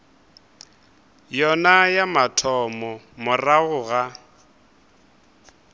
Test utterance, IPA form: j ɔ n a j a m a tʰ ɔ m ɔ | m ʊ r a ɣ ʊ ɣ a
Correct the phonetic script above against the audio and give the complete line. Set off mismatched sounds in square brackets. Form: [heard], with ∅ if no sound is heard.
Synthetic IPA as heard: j ɔ n a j a m a tʰ ɔ m ɔ | m ʊ r a ɣ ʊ ɣ a